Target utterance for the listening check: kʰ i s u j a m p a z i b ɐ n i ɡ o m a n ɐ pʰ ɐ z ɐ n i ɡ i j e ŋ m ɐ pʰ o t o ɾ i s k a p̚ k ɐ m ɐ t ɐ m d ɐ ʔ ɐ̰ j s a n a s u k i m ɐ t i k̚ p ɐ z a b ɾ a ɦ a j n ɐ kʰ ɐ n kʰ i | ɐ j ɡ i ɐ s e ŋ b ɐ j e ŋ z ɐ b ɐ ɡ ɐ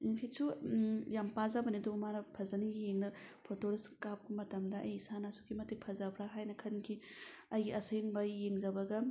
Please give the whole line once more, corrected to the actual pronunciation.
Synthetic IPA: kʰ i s u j a m p a z a b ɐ n i d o m a n ɐ pʰ ɐ z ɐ n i ɡ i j e ŋ n ɐ pʰ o t o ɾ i s k a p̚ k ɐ m ɐ t ɐ m d ɐ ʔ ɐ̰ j s a n a s u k i m ɐ t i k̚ pʰ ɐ z a b ɾ a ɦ a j n ɐ kʰ ɐ n kʰ i | ɐ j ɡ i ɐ s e ŋ b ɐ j e ŋ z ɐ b ɐ ɡ ɐ